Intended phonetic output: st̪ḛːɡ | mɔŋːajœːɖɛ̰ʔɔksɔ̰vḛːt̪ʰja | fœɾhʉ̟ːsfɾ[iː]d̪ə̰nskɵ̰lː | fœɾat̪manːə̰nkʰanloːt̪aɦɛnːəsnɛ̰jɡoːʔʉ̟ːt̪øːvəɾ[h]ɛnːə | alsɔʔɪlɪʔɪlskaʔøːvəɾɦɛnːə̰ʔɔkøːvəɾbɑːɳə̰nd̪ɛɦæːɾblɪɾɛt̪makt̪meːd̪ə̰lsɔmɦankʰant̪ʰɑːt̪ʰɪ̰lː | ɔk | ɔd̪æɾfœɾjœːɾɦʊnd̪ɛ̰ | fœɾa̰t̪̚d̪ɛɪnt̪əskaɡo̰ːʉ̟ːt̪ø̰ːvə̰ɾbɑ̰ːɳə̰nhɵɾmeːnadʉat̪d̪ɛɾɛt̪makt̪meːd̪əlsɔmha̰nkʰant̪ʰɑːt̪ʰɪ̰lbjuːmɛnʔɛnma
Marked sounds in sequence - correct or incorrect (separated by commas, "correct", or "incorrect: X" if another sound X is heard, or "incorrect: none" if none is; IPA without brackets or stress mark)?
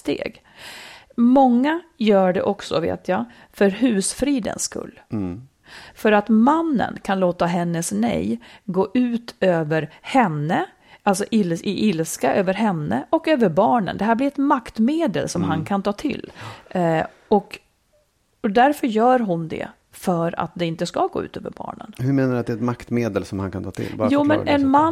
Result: correct, correct